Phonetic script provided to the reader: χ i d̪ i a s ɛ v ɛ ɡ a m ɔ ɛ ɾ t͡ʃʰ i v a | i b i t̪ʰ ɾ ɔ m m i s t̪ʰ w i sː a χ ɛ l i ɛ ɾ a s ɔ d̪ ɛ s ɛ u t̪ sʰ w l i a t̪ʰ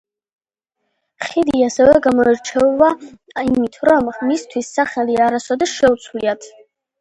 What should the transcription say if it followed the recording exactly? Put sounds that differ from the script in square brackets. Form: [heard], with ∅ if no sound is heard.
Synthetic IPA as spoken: χ i d̪ i a s ɛ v ɛ ɡ a m ɔ ɛ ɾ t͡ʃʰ [ɛ] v a | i [m] i t̪ʰ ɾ ɔ m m i s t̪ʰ w i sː a χ ɛ l i [a] ɾ a s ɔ d̪ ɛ [ʃ] ɛ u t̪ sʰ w l i a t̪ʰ